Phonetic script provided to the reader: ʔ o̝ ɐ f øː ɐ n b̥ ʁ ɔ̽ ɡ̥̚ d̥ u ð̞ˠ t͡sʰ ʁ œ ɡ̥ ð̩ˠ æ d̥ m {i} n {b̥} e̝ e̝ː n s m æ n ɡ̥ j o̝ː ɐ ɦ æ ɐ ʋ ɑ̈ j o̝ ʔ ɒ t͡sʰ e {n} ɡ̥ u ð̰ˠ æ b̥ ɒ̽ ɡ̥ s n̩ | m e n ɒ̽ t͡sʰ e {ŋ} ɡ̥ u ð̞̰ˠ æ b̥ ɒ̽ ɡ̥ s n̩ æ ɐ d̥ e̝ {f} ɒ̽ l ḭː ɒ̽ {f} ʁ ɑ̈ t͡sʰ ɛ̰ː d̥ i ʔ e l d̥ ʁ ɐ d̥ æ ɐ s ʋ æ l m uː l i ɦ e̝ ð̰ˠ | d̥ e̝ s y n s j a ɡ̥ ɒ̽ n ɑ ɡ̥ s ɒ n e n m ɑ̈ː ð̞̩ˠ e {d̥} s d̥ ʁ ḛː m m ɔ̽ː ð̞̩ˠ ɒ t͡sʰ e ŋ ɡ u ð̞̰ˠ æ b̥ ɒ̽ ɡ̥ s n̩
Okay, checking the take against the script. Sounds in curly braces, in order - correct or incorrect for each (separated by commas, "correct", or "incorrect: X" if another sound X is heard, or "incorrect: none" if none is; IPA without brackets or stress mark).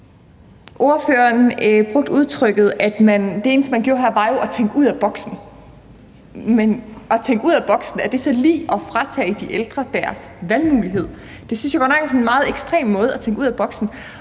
incorrect: æ, incorrect: d̥, incorrect: ŋ, correct, incorrect: s, correct, incorrect: ɡ̥